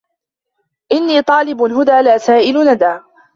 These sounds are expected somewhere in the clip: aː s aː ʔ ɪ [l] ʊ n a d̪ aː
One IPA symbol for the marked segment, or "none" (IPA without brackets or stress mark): l